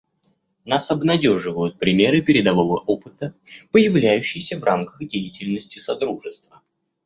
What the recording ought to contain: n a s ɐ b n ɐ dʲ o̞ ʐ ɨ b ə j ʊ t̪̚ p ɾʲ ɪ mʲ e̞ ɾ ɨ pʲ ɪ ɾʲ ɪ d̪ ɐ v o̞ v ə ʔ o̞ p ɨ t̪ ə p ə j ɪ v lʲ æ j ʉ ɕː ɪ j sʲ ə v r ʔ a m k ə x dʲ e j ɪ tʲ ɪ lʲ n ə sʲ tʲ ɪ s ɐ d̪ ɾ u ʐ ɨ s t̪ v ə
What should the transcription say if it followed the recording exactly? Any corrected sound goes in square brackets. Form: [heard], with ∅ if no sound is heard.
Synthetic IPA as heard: n a s ɐ b n ɐ dʲ o̞ ʐ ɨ [v] ə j ʊ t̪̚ p ɾʲ ɪ mʲ e̞ ɾ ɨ pʲ ɪ ɾʲ ɪ d̪ ɐ v o̞ v ə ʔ o̞ p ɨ t̪ ə p ə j ɪ v lʲ æ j ʉ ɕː ɪ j sʲ ə v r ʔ a m k ə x dʲ e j ɪ tʲ ɪ lʲ n ə sʲ tʲ ɪ s ɐ d̪ ɾ u ʐ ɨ s t̪ v ə